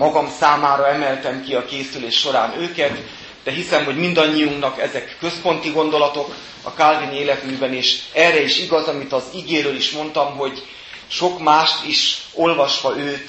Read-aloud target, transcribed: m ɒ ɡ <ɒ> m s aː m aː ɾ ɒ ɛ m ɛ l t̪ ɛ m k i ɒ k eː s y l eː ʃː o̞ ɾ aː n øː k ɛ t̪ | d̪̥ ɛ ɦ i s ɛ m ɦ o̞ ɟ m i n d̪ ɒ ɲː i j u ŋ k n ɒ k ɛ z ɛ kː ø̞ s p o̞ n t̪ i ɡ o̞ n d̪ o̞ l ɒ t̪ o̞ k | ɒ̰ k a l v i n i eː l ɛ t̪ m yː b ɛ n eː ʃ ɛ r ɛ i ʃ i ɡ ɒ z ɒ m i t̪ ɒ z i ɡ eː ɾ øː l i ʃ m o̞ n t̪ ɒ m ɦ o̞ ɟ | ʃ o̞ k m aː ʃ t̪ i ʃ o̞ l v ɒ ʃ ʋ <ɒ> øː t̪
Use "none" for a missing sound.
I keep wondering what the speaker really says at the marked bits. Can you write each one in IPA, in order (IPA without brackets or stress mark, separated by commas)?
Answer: ɒ, ɒ